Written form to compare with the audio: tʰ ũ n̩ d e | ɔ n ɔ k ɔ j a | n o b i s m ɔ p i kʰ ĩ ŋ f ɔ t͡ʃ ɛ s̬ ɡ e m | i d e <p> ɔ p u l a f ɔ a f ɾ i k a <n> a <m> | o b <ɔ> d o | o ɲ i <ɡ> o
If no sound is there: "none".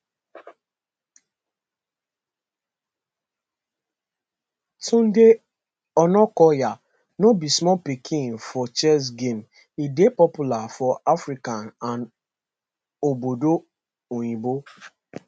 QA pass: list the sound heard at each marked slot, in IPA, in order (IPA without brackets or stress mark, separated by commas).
p, n, n, o, b